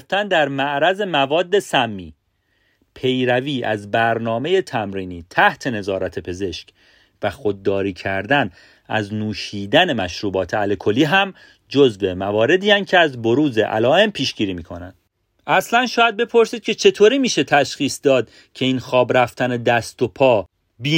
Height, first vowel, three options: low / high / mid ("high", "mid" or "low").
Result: low